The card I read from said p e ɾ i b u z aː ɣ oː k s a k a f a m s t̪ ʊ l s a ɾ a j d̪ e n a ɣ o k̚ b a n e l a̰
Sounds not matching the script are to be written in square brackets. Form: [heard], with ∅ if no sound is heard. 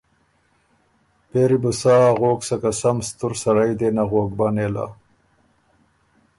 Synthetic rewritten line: p e ɾ i b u [s] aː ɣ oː k s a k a [s] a m s t̪ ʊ [ɾ] s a ɾ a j d̪ e n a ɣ o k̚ b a n e l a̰